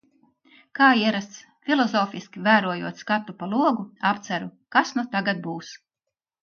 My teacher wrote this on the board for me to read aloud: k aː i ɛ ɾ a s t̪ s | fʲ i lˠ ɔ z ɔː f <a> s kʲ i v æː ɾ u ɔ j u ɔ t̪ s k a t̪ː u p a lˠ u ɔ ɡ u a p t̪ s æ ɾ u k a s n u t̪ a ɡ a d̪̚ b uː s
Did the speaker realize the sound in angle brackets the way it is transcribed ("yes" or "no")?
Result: no